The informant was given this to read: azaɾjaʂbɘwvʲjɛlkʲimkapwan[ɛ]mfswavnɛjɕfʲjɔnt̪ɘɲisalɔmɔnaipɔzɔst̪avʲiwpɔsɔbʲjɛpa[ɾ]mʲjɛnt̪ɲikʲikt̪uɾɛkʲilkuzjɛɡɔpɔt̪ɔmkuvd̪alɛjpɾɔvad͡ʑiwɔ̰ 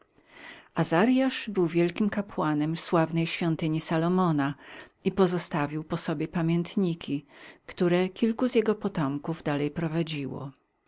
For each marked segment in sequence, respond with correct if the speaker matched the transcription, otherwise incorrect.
correct, incorrect: none

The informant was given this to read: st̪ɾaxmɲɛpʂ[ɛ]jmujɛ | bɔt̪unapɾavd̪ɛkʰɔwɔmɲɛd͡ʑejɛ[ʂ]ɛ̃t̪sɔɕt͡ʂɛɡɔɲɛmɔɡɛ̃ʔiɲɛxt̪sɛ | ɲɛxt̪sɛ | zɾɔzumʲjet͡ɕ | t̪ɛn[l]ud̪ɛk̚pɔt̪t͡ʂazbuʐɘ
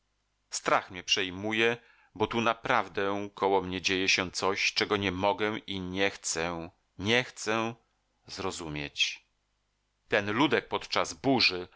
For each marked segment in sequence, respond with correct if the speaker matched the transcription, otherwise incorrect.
correct, incorrect: ɕ, correct

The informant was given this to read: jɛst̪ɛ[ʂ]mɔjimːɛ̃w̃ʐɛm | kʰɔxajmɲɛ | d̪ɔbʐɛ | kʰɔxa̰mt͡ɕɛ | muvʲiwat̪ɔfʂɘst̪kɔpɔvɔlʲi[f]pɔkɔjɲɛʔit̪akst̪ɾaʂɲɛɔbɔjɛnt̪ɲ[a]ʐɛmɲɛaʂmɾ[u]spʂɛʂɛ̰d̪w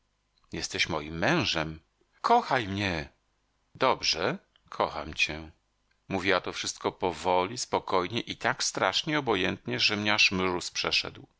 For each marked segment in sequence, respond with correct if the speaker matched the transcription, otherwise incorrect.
incorrect: ɕ, incorrect: s, incorrect: ɛ, correct

